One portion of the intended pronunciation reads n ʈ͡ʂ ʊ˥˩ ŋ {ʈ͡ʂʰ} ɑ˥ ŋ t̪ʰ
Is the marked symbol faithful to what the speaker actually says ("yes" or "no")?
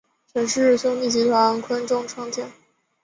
yes